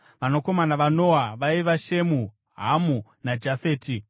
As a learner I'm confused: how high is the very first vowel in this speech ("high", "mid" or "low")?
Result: low